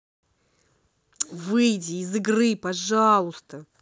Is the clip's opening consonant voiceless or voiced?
voiced